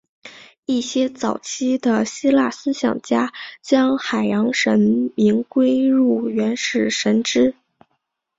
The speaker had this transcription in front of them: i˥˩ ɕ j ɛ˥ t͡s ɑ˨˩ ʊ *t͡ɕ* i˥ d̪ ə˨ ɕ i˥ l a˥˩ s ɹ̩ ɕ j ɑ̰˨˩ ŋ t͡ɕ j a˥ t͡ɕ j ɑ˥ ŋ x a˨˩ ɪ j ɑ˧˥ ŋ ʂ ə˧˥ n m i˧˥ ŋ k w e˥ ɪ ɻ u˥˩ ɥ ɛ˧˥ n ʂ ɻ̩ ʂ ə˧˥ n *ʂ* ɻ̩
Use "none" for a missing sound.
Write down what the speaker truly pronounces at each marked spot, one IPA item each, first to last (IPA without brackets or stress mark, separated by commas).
t͡ɕʰ, ʈ͡ʂ